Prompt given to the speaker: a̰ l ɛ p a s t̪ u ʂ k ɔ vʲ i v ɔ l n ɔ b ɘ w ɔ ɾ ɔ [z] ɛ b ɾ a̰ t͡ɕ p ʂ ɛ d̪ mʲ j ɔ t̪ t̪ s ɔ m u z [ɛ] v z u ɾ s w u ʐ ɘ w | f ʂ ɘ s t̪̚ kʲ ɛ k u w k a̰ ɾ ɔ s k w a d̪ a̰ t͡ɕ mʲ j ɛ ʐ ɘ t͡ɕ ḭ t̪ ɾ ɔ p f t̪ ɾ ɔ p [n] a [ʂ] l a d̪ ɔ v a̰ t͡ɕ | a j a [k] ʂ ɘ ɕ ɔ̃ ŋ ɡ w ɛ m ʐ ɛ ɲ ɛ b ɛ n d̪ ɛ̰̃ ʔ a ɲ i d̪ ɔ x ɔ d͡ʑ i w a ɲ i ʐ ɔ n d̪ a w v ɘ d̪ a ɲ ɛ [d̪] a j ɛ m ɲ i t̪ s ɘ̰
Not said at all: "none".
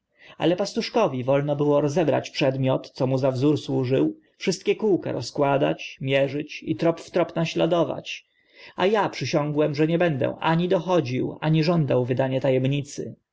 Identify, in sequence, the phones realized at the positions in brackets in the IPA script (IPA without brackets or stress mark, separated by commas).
z, a, n, ɕ, p, t̪